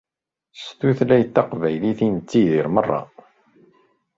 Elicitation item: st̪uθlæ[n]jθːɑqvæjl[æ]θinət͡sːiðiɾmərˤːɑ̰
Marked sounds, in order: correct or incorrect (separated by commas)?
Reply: incorrect, incorrect